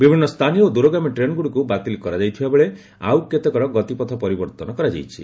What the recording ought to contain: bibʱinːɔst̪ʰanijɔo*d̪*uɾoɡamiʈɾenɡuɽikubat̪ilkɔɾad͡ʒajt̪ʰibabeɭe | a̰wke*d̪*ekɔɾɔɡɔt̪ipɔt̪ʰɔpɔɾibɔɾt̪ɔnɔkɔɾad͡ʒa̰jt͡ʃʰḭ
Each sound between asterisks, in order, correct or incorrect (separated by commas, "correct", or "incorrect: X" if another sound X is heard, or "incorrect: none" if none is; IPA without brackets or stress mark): correct, incorrect: t̪